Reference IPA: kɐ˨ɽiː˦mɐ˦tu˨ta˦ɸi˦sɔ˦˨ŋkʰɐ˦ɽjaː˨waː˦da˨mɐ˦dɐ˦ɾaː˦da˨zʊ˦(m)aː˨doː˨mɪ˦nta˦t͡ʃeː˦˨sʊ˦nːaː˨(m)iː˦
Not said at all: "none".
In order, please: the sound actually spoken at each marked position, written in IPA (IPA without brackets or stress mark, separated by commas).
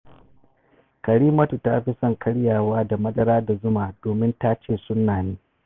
m, n